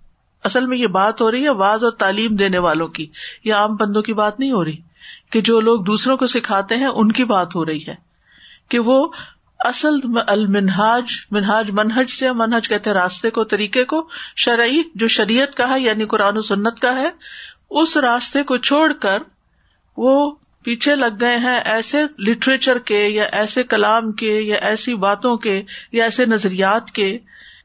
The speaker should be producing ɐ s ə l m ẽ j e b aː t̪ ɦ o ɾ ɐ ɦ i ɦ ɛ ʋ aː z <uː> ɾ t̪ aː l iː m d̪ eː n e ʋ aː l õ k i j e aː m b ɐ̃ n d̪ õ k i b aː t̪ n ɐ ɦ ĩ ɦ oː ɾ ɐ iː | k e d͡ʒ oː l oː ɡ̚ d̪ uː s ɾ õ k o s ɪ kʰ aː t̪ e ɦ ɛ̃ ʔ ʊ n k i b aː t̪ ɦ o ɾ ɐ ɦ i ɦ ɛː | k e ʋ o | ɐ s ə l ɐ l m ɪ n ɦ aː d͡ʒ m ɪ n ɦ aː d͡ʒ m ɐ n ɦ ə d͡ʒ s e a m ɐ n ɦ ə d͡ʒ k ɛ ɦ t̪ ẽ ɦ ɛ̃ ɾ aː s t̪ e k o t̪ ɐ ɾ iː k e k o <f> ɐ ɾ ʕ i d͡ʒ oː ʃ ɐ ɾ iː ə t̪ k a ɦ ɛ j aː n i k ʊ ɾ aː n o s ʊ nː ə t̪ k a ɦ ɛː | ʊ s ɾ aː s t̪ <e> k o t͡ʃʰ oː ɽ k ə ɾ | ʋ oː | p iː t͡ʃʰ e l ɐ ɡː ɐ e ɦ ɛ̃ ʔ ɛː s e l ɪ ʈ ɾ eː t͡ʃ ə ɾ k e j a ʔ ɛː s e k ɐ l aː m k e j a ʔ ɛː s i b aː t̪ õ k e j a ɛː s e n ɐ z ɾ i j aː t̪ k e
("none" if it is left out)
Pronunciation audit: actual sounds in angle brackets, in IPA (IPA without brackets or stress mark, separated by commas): ɔː, ʃ, e